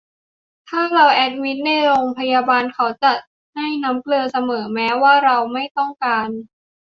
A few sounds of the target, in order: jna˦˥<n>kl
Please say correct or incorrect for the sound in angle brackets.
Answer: incorrect